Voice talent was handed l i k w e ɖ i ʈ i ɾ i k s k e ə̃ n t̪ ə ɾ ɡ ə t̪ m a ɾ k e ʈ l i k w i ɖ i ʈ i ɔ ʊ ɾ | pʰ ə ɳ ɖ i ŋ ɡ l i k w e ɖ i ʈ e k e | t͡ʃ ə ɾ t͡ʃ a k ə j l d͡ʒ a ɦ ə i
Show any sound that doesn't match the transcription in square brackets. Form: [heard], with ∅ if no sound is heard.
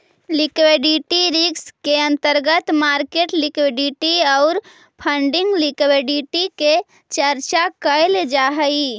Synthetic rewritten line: l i k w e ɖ i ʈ i ɾ i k s k e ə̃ n t̪ ə ɾ ɡ ə t̪ m a ɾ k e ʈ l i k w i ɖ i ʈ i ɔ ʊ ɾ | pʰ ə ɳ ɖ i ŋ ɡ l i k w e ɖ i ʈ [i] k e | t͡ʃ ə ɾ t͡ʃ a k ə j l d͡ʒ a ɦ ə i